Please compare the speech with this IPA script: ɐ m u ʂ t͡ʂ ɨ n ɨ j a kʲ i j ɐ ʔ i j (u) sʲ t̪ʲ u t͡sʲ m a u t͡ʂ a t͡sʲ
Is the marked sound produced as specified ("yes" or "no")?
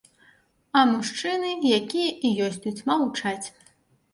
no